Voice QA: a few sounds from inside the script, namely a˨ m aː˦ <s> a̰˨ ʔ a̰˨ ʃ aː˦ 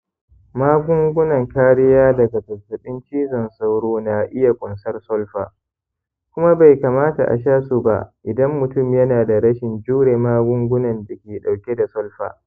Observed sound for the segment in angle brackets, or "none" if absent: t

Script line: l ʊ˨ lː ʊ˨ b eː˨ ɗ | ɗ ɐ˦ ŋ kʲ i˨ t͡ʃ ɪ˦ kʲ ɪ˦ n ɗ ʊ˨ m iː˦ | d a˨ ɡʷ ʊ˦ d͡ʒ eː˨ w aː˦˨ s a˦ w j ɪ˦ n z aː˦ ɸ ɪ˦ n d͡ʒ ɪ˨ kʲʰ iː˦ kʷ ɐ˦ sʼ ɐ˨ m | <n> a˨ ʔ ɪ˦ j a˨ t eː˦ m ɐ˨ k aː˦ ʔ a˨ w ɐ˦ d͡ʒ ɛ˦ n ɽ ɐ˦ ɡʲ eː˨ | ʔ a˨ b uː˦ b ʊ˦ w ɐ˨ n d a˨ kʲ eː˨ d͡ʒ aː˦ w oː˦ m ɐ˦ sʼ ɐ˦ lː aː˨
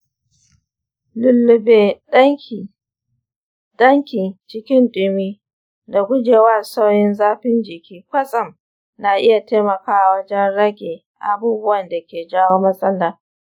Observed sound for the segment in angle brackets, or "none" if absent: n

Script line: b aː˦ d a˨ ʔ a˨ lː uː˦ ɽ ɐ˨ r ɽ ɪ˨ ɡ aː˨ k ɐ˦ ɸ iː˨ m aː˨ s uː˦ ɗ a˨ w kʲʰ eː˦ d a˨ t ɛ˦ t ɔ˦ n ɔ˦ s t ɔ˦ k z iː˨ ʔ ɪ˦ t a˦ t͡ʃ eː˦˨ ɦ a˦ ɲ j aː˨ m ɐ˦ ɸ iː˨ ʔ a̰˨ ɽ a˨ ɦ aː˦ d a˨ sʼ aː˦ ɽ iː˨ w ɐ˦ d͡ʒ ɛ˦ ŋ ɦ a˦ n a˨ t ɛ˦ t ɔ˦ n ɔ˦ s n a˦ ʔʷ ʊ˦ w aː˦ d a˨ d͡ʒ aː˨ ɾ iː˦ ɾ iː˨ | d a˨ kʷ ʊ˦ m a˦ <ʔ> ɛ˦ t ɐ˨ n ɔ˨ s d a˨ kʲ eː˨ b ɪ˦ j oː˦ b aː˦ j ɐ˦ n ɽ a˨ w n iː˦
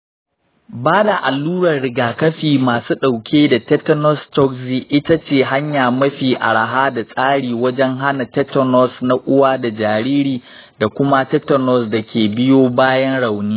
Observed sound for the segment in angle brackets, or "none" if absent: t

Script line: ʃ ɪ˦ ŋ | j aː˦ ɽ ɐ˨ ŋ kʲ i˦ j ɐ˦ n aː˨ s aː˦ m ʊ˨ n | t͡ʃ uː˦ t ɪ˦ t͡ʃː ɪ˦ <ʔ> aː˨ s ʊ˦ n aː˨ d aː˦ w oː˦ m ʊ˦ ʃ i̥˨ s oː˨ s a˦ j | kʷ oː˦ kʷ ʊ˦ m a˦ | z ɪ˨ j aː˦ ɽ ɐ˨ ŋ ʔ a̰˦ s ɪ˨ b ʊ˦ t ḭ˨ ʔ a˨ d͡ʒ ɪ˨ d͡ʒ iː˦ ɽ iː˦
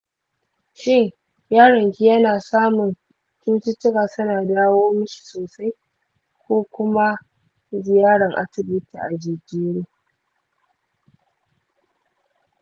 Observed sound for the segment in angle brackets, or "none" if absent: k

